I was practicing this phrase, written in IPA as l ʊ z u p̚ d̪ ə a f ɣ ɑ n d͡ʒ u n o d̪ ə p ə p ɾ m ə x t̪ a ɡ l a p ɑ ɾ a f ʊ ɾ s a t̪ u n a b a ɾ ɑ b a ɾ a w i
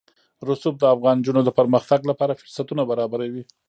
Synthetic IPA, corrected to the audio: ɾ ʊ s u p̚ d̪ ə a f ɣ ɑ n d͡ʒ u n o d̪ ə p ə ɾ m ə x t̪ a ɡ l a p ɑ ɾ a f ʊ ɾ s a t̪ u n a b a ɾ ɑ b a ɾ a w i